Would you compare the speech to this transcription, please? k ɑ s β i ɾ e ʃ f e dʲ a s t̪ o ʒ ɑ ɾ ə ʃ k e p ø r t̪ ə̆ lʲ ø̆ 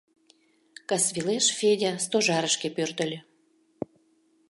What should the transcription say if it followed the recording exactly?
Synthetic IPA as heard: k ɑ s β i l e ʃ f e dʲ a s t̪ o ʒ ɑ ɾ ə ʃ k e p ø r t̪ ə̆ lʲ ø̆